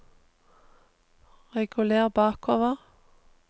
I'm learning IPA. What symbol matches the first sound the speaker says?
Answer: ʁ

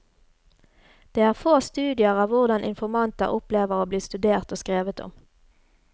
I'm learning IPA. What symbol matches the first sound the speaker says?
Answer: d̪̥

